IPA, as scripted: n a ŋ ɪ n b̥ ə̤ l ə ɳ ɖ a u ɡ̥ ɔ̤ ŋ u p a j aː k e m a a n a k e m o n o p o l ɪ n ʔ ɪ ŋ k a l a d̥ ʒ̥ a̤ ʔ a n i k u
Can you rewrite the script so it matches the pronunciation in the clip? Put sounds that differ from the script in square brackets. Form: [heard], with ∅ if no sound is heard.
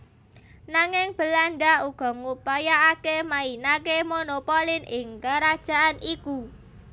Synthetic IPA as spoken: n a ŋ ɪ [ŋ] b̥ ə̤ l [a] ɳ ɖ a u ɡ̥ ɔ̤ ŋ u p a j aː k e m a [i] n a k e m o n o p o l ɪ n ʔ ɪ ŋ k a [ɾ] a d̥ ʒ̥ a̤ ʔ a n i k u